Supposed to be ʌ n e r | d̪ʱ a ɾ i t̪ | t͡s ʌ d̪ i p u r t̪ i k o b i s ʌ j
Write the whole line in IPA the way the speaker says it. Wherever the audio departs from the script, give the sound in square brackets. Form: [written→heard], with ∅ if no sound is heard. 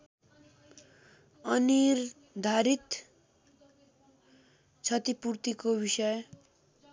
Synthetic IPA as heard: ʌ n [e→i] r | d̪ʱ a ɾ i t̪ | [t͡s→t͡sʰ] ʌ [d̪→t̪] i p u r t̪ i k o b i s ʌ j